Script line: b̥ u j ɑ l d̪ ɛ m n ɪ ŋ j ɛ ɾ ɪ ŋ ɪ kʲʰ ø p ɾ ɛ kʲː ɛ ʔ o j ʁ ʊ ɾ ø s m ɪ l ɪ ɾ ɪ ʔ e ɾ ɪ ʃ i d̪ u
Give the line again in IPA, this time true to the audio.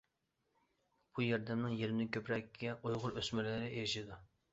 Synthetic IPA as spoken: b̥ u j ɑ ɾ d̪ ɛ m n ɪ ŋ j e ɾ ɪ n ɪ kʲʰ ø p ɾ ɛ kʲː ɛ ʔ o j ʁ ʊ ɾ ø s m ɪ l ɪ ɾ ɪ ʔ e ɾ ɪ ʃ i d̪ u

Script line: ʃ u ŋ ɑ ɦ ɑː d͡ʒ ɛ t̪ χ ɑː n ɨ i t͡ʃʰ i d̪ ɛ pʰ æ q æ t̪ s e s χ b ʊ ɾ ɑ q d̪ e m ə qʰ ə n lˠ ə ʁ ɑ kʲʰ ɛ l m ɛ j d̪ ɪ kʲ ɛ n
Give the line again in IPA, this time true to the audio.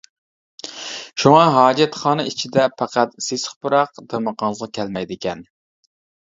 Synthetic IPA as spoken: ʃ u ŋ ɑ ɦ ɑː d͡ʒ ɛ t̪ χ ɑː n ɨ i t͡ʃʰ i d̪ ɛ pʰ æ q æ t̪ s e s χ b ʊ ɾ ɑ q d̪ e m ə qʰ ɑ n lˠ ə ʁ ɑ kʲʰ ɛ l m ɛ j d̪ ɪ kʲ ɛ n

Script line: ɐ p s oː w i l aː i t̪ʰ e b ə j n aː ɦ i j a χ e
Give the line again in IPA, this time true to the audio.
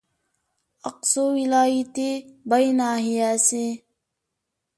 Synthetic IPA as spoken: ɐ q s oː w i l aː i t̪ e b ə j n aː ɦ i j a s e

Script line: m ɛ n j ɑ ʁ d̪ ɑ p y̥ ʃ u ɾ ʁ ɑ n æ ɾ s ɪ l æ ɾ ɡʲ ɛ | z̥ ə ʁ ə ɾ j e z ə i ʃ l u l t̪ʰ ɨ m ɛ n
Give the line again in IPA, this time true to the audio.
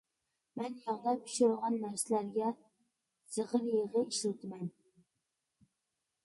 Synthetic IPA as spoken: m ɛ n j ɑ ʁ d̪ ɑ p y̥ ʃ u ɾ ʁ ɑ nː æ ɾ s ɪ l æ ɾ ɡʲ ɛ | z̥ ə ʁ ə ɾ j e ʁ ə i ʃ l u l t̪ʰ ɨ m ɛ n

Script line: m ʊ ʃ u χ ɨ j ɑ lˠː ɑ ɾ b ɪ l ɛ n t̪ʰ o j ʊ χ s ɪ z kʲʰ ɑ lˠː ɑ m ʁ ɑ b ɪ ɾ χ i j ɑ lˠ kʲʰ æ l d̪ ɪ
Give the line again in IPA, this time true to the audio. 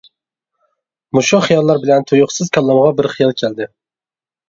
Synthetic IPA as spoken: m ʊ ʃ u χ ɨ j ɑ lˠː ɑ ɾ b ɪ l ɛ n t̪ʰ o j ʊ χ s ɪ z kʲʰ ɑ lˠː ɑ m ʁ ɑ b ɪ ɾ χ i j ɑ lˠ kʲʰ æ l d̪ ɪ

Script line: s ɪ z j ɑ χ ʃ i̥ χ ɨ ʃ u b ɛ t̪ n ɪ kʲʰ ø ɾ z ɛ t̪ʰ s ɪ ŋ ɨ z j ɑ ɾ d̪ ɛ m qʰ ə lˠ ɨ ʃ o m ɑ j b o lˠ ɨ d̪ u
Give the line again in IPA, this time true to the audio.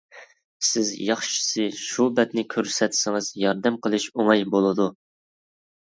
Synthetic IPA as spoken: s ɪ z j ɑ χ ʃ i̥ s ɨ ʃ u b ɛ t̪ n ɪ kʲʰ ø ɾ s ɛ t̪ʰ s ɪ ŋ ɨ z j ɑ ɾ d̪ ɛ m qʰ ə lˠ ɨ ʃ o ŋ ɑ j b o lˠ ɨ d̪ u

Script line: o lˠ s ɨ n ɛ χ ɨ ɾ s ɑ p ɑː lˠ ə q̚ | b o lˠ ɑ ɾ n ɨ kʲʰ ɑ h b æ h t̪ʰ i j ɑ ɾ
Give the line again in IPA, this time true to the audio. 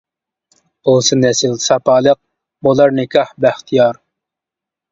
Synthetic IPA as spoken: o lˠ s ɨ n ɛ s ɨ l s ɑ p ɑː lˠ ə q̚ | b o lˠ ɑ ɾ n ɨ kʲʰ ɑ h b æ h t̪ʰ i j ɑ ɾ

